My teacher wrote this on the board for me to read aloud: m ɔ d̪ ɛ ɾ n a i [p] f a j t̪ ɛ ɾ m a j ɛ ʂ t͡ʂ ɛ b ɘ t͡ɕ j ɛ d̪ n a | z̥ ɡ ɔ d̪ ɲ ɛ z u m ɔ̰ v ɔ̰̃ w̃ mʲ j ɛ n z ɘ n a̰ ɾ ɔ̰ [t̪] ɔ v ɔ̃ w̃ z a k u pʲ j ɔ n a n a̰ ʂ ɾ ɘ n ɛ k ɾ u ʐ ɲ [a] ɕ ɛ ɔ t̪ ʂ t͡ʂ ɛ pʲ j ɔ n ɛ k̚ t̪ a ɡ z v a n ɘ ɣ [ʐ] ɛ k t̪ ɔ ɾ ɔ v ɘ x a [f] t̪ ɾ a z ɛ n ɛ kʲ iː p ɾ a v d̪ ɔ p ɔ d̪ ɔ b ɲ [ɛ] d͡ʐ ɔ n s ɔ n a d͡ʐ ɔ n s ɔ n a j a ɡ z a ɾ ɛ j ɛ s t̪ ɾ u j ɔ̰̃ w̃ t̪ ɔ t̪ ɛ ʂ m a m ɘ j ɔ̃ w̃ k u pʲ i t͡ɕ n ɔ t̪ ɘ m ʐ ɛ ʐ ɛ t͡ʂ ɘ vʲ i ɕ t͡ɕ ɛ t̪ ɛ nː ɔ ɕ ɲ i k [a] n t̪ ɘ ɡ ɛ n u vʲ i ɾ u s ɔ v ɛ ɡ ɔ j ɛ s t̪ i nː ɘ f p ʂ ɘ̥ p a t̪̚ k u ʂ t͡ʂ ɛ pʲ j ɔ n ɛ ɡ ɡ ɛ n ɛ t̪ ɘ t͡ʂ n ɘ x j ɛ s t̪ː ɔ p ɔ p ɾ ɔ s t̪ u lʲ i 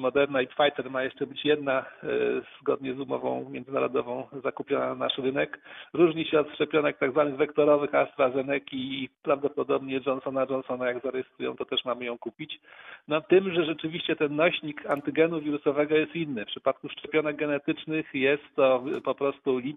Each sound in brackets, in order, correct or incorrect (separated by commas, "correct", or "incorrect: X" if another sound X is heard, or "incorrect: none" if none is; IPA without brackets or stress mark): correct, incorrect: d̪, incorrect: i, incorrect: v, incorrect: s, correct, correct